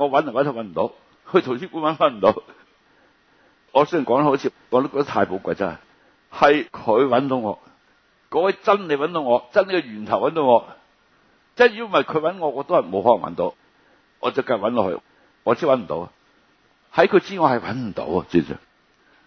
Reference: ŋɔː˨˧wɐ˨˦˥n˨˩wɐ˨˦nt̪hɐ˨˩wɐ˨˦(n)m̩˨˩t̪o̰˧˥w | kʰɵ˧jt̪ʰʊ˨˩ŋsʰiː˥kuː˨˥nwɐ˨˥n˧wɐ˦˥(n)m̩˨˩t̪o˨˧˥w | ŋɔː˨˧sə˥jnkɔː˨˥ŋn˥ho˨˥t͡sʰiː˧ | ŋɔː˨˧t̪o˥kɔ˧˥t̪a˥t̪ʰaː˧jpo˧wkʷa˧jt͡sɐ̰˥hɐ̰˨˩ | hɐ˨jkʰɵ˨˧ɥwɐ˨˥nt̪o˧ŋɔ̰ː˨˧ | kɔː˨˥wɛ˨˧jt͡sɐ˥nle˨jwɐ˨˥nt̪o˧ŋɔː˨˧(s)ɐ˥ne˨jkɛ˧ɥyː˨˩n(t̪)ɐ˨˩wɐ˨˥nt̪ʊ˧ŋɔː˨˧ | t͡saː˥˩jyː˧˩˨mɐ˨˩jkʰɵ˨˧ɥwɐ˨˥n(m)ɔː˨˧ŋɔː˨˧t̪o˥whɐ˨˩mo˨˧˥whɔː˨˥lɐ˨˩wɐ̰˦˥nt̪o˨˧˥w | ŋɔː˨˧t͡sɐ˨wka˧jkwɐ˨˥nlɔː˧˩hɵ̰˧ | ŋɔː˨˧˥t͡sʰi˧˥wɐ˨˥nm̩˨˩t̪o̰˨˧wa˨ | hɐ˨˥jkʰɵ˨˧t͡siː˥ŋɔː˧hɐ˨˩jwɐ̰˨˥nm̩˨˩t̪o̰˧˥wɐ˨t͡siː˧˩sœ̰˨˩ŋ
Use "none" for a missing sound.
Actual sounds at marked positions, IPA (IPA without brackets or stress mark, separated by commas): n, n, t͡s, t̪ʰ, ŋ